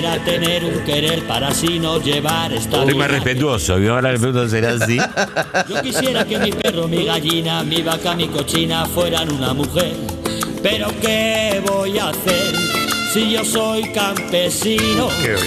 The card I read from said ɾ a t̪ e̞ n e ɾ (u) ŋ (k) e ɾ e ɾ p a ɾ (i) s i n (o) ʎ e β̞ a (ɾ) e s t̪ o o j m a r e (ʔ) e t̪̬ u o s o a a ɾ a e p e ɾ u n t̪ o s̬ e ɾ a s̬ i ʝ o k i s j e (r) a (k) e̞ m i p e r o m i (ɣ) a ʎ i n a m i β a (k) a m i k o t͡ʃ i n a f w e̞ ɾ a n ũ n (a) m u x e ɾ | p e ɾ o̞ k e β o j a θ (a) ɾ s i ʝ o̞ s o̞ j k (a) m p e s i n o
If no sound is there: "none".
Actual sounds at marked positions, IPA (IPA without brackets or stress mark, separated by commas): u, k, a, o, ɾ, p, ɾ, k, ɣ, k, a, e, a